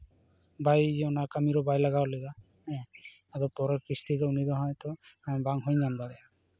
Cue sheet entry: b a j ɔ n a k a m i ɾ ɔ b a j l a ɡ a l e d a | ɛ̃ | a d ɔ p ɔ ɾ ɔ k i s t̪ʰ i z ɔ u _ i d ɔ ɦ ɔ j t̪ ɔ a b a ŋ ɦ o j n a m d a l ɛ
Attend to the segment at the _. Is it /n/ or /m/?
n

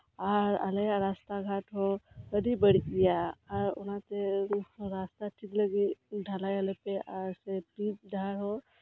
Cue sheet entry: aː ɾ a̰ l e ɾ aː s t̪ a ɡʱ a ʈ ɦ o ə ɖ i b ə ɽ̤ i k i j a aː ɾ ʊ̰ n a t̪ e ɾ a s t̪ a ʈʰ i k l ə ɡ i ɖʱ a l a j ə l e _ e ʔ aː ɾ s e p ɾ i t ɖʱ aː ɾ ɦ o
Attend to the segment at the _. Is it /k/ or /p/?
p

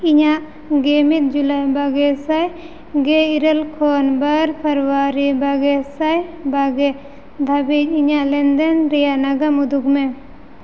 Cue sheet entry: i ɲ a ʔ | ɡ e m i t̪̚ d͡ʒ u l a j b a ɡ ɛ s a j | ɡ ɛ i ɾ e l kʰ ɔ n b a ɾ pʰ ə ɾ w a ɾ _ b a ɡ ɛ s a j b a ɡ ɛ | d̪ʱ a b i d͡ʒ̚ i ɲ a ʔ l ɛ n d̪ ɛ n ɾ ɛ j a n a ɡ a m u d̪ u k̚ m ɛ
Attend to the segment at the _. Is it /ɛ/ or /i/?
i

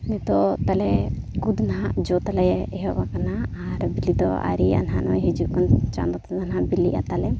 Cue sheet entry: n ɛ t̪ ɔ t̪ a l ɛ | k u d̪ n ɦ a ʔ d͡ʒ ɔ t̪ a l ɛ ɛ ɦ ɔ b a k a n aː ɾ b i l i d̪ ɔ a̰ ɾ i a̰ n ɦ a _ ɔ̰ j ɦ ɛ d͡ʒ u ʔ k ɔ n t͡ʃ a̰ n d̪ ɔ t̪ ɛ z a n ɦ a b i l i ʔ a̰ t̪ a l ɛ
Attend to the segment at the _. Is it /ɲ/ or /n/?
n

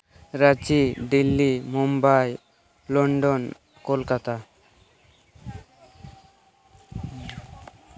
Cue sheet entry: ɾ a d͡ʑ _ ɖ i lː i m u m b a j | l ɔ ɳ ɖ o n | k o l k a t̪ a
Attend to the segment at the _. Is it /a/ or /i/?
i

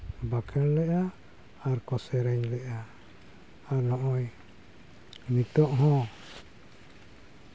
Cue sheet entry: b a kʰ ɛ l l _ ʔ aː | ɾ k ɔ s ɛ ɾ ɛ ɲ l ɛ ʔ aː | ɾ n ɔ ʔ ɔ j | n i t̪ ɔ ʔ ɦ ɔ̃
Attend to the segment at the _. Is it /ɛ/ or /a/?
ɛ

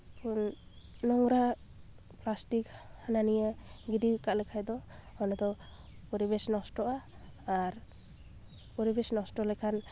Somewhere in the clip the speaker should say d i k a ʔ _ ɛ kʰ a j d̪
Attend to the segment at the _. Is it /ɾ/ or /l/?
l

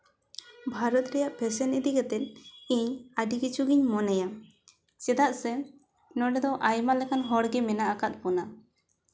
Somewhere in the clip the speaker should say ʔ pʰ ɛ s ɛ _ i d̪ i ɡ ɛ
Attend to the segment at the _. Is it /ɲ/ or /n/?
n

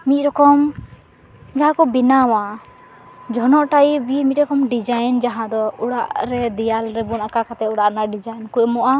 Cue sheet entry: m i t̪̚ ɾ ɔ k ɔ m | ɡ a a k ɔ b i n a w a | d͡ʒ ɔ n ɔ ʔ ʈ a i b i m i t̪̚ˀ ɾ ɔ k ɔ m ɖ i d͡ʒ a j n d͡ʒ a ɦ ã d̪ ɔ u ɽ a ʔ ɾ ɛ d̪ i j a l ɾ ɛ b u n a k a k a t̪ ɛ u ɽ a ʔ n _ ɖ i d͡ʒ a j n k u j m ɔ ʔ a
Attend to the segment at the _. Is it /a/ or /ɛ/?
a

